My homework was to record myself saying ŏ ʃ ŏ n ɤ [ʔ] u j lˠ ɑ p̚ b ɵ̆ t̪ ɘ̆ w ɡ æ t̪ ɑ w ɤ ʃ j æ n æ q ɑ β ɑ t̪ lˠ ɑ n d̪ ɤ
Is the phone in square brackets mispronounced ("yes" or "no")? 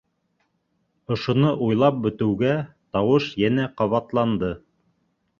no